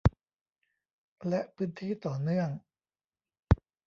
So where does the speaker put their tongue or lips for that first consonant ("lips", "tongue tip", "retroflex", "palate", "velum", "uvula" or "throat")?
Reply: tongue tip